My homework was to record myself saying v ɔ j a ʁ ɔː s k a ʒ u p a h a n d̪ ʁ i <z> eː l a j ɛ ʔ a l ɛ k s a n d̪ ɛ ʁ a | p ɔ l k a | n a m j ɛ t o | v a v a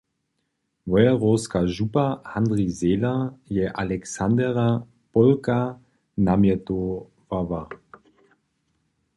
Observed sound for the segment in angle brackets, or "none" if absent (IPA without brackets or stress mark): z